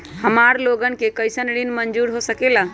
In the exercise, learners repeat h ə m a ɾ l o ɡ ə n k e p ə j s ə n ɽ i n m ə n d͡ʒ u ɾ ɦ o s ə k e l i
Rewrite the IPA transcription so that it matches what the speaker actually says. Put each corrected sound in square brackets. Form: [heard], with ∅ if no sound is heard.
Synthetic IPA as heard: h ə m a ɾ l o ɡ ə n k e [k] ə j s ə n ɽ i n m ə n d͡ʒ u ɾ ɦ o s ə k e l [a]